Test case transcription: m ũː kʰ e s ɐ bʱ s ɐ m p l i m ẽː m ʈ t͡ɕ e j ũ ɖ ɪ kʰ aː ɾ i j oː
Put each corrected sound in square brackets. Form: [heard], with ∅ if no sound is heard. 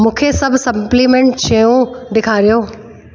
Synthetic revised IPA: m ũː kʰ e s ɐ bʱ s ɐ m p l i m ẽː [ɳ] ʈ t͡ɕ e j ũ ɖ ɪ kʰ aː ɾ i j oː